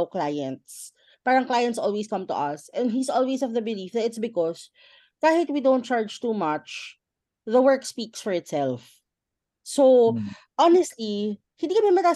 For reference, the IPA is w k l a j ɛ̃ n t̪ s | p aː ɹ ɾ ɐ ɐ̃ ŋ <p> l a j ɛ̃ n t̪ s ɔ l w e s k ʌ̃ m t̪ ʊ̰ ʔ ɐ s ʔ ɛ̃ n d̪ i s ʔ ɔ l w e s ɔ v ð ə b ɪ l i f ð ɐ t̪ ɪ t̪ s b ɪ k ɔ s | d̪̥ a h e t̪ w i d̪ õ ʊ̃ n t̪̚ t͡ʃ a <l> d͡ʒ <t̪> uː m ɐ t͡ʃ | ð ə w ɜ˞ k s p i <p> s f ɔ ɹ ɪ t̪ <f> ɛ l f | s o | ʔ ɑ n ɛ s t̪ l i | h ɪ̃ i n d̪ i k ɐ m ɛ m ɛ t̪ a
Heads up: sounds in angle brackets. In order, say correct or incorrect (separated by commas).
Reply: incorrect, incorrect, correct, incorrect, incorrect